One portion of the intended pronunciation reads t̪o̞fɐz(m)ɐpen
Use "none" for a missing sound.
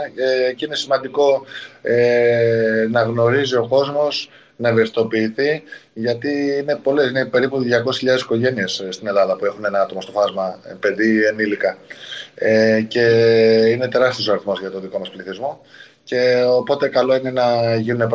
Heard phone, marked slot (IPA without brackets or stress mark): m